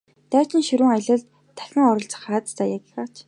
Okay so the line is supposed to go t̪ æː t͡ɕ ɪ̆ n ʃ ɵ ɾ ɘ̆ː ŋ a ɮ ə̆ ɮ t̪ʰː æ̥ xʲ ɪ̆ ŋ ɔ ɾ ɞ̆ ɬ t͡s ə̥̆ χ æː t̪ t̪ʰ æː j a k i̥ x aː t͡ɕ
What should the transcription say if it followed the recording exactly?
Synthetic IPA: t̪ æː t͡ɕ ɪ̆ n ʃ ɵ ɾ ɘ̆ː ŋ a ɮ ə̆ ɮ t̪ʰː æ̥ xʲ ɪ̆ ŋ ɔ ɾ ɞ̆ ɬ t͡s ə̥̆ χ aː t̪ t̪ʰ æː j a k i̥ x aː t͡ɕ

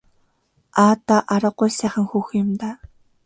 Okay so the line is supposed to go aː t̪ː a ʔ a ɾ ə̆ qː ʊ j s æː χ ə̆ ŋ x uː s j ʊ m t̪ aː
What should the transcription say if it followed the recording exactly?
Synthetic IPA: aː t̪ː a ʔ a ɾ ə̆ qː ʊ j s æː χ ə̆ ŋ x uː x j ʊ m t̪ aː

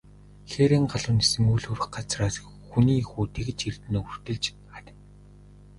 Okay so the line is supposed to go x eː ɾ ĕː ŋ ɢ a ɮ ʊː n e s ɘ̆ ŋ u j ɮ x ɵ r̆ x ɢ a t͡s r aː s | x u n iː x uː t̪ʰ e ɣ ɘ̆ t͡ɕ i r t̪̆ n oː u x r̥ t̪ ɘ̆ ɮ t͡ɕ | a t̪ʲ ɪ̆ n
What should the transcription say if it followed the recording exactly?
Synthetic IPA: x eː ɾ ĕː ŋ ɢ a ɮ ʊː n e s ɘ̆ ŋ u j ɮ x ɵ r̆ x ɢ a t͡s r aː s | x u n iː x uː t̪ʰ e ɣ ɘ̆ t͡ɕ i r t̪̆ n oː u r̥ t̪ ɘ̆ ɮ t͡ɕ | a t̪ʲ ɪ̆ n

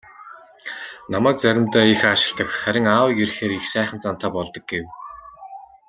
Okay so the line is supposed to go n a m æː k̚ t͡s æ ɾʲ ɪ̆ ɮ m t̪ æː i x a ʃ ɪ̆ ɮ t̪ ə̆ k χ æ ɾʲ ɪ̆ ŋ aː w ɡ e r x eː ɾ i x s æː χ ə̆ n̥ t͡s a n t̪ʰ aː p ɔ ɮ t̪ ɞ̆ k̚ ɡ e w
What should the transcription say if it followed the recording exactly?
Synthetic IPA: n a m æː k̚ t͡s æ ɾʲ ɪ̆ m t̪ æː i x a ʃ ɪ̆ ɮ t̪ ə̆ k χ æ ɾʲ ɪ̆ ŋ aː w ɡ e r x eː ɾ i x s æː χ ə̆ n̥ t͡s a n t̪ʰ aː p ɔ ɮ t̪ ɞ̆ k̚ ɡ e w

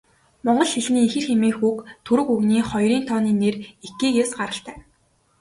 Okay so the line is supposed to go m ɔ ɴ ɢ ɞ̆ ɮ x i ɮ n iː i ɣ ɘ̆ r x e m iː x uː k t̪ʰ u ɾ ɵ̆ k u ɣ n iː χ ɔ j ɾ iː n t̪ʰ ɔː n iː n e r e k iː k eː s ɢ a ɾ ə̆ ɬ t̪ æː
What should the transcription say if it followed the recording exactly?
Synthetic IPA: m ɔ ɴ ɢ ɞ̆ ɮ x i ɮ n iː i x ɘ̆ r x e m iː x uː k t̪ʰ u ɾ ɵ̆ k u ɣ n iː χ ɔ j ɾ iː n t̪ʰ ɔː n iː n e r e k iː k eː s ɢ a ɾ ə̆ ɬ t̪ æː

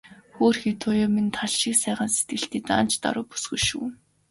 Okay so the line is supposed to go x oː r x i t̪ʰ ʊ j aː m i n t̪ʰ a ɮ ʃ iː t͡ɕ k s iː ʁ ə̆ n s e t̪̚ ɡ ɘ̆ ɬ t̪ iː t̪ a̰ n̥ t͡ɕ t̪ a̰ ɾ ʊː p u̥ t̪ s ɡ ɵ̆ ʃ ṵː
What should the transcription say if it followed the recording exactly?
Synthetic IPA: x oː r x i t̪ʰ ʊ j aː m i n t̪ʰ a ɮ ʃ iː k s æː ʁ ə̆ n s e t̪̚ ɡ ɘ̆ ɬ t̪ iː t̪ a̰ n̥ t͡ɕ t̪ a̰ ɾ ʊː p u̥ s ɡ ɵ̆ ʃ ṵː

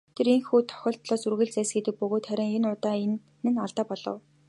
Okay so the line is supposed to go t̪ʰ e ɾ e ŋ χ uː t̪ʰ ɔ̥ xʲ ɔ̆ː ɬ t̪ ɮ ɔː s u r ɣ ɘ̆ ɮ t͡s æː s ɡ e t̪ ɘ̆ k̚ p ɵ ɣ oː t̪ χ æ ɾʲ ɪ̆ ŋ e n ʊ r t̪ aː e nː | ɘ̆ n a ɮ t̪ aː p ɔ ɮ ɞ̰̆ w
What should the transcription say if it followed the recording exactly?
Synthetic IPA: t̪ʰ e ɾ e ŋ x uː t̪ʰ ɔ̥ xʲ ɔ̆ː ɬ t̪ ɮ ɔː s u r ɣ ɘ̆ ɮ t͡s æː s ɡ e t̪ ɘ̆ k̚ p ɵ ɣ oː t̪ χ æ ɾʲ ɪ̆ ŋ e n ʊ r t̪ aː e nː | ɘ̆ n a ɮ t̪ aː p ɔ ɮ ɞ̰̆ w

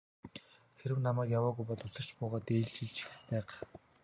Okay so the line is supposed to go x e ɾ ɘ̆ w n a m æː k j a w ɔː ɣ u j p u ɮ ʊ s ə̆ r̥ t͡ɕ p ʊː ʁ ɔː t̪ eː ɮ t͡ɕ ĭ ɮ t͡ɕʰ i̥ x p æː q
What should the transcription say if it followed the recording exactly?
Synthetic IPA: x e ɾ ɘ̆ w n a m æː k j a w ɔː ɣ u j p ɔ ɮ ʊ s ə̆ r̥ t͡ɕ p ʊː ʁ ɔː t̪ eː ɮ t͡ɕ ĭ ɮ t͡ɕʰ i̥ x p æː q

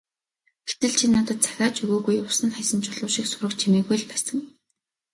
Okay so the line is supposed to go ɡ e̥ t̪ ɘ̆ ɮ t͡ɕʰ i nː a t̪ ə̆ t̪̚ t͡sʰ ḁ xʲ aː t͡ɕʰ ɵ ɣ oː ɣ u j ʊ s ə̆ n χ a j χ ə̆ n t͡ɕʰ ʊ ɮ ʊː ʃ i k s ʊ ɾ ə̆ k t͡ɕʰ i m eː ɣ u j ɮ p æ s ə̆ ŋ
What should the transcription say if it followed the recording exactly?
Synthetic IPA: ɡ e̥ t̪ ɘ̆ ɮ t͡ɕʰ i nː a t̪ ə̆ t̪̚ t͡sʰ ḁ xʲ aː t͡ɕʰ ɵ ɣ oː ɣ u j ʊ s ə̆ n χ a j s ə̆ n t͡ɕʰ ʊ ɮ ʊː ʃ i k s ʊ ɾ ə̆ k t͡ɕʰ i m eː ɣ u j ɮ p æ s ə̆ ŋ

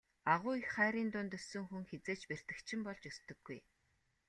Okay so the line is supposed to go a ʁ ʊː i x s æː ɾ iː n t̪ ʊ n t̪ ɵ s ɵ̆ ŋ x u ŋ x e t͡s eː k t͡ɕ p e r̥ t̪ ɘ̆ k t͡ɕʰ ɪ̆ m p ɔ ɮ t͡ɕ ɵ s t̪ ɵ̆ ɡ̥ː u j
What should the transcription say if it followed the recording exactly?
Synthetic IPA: a ʁ ʊː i x χ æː ɾ iː n t̪ ʊ n t̪ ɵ s ɵ̆ ŋ x u ŋ x e t͡s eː t͡ɕ p e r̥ t̪ ɘ̆ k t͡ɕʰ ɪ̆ m p ɔ ɮ t͡ɕ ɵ s t̪ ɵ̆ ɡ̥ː u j

